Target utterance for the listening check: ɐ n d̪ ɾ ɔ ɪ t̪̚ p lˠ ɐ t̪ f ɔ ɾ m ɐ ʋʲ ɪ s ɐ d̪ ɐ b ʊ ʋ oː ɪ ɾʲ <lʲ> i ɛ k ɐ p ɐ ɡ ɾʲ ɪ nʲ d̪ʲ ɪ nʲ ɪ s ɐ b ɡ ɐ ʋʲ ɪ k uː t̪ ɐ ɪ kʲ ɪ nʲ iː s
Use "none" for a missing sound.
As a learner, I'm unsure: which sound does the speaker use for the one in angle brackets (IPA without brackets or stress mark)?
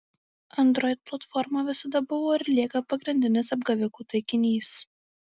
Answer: lʲ